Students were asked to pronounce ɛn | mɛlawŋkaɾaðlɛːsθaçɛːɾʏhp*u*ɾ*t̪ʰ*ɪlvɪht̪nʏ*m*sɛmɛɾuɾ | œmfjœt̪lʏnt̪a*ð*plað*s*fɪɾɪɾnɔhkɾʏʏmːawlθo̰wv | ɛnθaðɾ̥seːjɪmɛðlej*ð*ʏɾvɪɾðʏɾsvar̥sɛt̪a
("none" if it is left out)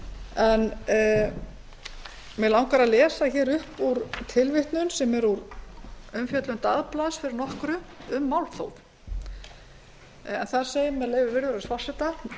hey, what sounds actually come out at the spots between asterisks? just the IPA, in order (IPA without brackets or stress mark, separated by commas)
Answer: u, t̪ʰ, n, ð, s, v